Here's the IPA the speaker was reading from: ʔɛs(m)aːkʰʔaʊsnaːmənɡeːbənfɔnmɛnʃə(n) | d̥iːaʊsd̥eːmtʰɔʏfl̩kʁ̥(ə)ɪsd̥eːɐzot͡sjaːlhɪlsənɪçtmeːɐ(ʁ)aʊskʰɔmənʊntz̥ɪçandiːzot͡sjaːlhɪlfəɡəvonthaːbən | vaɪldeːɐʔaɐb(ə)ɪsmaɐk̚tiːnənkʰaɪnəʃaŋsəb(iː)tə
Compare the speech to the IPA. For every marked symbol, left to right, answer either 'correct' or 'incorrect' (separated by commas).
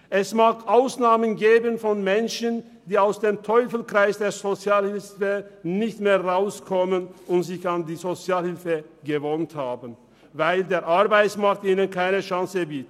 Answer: correct, correct, incorrect, correct, incorrect, correct